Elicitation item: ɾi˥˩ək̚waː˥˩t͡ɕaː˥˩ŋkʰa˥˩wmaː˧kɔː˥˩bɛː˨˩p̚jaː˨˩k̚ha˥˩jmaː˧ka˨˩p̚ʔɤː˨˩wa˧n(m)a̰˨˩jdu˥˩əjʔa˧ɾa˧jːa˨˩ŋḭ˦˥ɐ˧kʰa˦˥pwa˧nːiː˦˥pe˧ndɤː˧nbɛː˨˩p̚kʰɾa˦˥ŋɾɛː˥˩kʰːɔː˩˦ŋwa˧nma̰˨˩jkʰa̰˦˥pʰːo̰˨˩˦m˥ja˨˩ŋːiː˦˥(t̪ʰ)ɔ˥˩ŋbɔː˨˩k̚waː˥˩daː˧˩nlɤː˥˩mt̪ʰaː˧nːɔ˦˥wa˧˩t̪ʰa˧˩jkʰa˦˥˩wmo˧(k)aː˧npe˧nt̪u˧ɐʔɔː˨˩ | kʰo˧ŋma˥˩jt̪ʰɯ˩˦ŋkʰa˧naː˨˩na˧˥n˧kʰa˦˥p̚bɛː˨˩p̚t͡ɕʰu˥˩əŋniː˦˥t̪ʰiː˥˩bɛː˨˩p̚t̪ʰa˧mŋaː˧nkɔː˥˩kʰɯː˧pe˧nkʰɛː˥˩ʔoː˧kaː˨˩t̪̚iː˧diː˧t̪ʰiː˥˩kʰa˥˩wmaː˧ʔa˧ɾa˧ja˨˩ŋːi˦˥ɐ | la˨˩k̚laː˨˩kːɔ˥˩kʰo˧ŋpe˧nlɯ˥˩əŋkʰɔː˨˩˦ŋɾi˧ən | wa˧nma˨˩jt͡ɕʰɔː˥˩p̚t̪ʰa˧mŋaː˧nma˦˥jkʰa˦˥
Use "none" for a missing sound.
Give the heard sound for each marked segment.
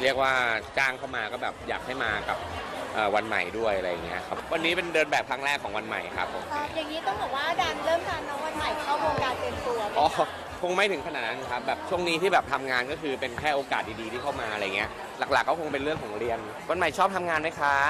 m, t̪, k

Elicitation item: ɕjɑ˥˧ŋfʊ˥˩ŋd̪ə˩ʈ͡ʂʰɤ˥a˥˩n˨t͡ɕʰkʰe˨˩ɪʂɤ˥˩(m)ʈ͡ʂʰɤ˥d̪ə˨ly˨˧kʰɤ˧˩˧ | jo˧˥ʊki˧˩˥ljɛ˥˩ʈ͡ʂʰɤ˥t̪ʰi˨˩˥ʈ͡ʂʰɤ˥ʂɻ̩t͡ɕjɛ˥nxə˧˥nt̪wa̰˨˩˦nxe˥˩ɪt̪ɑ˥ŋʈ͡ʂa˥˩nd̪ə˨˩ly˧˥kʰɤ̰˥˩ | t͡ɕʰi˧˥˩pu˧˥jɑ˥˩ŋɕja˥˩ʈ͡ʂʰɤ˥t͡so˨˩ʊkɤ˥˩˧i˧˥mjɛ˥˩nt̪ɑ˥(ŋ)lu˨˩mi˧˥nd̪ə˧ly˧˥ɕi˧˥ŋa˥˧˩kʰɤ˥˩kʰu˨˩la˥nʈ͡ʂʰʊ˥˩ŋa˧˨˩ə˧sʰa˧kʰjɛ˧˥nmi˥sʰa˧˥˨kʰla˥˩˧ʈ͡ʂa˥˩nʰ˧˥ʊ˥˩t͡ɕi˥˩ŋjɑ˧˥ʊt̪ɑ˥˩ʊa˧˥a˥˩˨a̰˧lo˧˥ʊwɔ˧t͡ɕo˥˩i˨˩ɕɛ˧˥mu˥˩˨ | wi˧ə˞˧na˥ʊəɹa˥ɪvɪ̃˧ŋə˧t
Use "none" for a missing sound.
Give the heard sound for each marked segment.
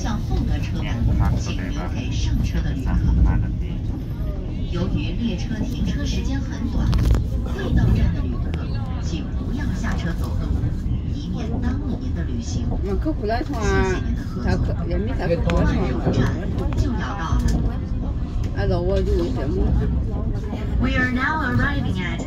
ŋ, ŋ

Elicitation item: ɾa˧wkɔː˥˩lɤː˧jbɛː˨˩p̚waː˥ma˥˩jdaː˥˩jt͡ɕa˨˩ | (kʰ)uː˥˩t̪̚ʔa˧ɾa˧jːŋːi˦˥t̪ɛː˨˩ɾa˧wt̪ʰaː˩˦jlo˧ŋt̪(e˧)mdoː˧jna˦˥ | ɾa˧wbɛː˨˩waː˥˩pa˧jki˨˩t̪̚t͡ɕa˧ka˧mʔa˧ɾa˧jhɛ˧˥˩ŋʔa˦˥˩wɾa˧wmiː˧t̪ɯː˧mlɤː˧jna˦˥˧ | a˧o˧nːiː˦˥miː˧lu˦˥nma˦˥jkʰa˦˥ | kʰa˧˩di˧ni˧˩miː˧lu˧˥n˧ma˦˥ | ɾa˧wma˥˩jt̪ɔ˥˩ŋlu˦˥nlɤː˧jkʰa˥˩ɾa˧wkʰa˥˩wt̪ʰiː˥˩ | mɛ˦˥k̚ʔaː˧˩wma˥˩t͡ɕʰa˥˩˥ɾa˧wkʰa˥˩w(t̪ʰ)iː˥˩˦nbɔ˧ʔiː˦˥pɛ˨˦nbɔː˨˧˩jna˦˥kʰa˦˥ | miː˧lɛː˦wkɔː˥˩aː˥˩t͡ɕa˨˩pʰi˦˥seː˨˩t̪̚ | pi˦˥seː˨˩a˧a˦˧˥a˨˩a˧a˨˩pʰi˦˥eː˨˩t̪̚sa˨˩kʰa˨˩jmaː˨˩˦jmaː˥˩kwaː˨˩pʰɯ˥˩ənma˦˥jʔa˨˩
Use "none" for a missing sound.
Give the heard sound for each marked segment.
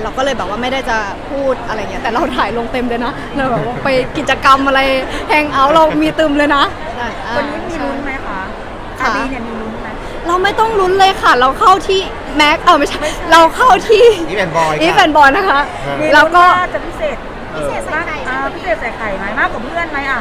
pʰ, e˧, t̪ʰ

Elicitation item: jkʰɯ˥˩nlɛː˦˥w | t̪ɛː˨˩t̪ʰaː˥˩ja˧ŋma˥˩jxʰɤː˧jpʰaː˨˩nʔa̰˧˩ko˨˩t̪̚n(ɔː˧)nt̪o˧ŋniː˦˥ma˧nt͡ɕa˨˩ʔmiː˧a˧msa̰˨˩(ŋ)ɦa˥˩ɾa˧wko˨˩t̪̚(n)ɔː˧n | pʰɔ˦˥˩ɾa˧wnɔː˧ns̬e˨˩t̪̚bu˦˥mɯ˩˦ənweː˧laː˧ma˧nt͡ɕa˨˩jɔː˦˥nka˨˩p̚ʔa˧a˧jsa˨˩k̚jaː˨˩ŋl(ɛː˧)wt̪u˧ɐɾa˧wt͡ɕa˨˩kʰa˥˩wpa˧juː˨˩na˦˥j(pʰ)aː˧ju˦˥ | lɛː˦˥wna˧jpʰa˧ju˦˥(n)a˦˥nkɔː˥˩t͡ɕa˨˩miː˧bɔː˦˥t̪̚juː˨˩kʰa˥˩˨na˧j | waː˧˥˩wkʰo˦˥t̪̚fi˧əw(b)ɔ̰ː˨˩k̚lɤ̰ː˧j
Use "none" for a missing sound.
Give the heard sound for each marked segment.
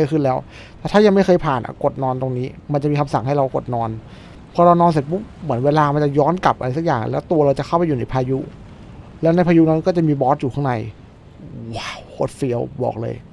ɔː˧, ŋ, n, ɛː˦˥, pʰ, n, b

